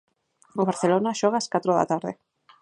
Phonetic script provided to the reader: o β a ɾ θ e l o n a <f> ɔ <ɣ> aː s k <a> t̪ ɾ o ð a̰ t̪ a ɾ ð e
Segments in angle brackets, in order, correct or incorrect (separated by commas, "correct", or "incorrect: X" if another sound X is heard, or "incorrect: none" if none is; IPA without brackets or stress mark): incorrect: ʃ, correct, correct